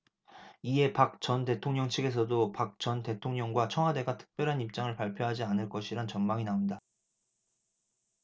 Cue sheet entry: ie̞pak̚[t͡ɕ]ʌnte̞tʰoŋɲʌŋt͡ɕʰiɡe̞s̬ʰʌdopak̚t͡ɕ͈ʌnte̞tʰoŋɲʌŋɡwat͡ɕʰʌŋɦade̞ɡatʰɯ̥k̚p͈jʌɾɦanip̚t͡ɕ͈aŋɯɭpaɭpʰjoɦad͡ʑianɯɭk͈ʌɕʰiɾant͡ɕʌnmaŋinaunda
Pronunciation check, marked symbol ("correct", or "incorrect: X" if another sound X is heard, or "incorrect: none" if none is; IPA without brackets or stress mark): correct